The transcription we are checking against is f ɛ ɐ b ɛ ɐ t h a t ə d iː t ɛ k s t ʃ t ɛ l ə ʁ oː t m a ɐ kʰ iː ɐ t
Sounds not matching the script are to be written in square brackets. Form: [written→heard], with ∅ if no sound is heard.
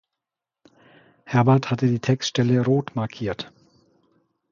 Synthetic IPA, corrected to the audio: [f→h] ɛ ɐ b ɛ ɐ t h a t ə d iː [t→tʰ] ɛ k s t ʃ t ɛ l ə ʁ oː t m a ɐ kʰ iː ɐ t